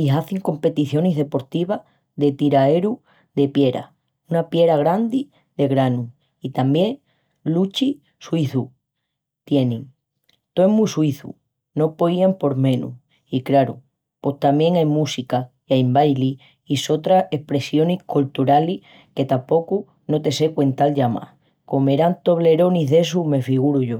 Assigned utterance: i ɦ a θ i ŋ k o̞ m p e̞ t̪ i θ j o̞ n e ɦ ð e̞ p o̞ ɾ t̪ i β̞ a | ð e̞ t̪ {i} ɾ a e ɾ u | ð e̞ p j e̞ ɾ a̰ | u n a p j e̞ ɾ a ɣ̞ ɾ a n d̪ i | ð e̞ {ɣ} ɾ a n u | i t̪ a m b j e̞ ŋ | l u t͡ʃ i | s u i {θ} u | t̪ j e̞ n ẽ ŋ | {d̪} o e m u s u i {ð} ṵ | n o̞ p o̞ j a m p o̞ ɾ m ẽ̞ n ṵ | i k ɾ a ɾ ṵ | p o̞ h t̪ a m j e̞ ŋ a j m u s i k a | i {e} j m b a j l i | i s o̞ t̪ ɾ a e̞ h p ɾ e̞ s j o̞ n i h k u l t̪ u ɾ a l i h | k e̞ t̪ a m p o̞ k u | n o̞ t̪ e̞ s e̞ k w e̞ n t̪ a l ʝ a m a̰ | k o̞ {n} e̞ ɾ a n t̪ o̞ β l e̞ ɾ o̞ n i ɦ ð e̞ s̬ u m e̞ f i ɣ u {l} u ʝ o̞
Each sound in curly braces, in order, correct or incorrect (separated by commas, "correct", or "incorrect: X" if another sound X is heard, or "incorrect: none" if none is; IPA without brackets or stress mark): correct, correct, correct, incorrect: t̪, incorrect: θ, incorrect: a, incorrect: m, incorrect: ɾ